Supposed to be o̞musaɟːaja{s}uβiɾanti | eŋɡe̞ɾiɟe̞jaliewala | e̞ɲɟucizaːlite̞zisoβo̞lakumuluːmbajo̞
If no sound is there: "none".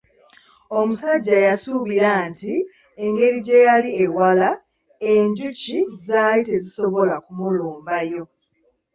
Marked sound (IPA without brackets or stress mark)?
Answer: s